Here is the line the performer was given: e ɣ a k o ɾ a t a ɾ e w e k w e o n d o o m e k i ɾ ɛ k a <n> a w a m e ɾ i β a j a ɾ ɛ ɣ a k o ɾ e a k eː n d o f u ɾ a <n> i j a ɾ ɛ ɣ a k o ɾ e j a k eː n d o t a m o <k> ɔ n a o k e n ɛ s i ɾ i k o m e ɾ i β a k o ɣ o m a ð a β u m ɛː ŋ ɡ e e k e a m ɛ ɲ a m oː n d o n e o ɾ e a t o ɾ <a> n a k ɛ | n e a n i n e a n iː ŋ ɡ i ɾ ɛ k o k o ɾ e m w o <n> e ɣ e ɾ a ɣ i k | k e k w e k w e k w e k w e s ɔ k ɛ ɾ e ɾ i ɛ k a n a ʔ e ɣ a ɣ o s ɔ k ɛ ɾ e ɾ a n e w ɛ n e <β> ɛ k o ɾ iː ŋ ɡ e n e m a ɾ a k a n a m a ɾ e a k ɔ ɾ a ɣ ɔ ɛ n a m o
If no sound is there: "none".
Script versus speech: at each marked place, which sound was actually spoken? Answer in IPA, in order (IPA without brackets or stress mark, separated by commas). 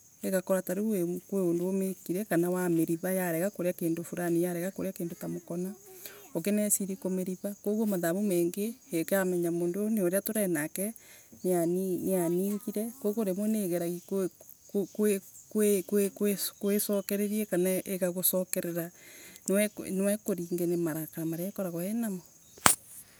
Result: n, n, k, ɛ, n, w